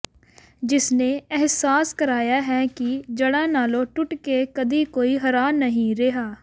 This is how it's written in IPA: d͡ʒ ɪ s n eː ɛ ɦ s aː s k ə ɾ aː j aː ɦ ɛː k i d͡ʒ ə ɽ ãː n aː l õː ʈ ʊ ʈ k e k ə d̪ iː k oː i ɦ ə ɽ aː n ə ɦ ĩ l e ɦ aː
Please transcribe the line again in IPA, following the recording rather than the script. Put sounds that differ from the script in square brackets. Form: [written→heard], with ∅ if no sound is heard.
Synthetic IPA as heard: d͡ʒ ɪ s n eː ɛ ɦ s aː s k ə ɾ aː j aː ɦ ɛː k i d͡ʒ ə ɽ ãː n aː l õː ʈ ʊ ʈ k e k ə d̪ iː k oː i ɦ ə [ɽ→ɾ] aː n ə ɦ ĩ [l→ɾ] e ɦ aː